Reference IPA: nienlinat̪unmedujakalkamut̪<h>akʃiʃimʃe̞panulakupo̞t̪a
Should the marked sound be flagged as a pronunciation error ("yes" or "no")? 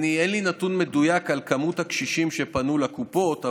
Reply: no